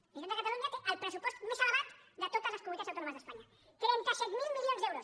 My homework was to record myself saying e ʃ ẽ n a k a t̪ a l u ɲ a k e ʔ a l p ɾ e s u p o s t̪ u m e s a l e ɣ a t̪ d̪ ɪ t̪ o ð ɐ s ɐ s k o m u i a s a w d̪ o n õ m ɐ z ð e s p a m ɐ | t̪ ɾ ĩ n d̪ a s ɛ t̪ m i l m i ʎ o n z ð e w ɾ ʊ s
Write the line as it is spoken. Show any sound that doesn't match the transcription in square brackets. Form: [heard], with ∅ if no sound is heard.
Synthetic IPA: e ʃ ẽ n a k a t̪ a l u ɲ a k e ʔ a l p ɾ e s u p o s t̪ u m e s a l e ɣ a t̪ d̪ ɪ t̪ o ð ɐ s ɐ s k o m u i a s a w [t̪] o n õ m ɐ z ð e s p a [ɲ] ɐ | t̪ ɾ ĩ n [t̪] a s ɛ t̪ m i l m i ʎ o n z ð e w ɾ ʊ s